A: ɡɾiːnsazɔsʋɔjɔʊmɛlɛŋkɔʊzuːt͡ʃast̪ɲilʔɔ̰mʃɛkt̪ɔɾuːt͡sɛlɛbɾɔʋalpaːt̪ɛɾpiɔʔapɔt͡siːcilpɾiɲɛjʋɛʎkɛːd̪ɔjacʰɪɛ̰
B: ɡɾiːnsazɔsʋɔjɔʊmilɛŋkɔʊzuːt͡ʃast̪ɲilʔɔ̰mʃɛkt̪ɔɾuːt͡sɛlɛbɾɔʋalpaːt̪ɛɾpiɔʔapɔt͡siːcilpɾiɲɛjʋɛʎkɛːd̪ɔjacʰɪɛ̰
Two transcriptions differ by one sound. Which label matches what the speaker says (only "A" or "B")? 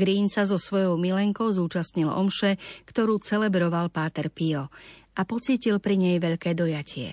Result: B